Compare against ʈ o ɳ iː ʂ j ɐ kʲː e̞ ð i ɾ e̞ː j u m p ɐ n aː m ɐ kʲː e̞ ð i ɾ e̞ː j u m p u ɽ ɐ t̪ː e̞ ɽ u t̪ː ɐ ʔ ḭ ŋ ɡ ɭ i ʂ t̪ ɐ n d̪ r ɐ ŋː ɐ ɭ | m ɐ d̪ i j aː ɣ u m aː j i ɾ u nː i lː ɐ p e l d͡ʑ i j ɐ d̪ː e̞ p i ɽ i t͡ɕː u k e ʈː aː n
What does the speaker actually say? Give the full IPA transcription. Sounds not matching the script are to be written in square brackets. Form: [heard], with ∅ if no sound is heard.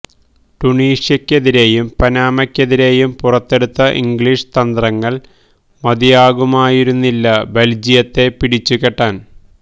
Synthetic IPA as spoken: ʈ [u] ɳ iː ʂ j ɐ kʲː e̞ ð i ɾ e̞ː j u m p ɐ n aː m ɐ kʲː e̞ ð i ɾ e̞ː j u m p u [r] ɐ t̪ː e̞ ɽ u t̪ː ɐ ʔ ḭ ŋ ɡ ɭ i ʂ t̪ ɐ n d̪ r ɐ ŋː ɐ ɭ | m ɐ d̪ i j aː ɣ u m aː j i ɾ u nː i lː ɐ [b] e l d͡ʑ i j ɐ [t̪ː] e̞ p i ɽ i t͡ɕː u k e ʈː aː n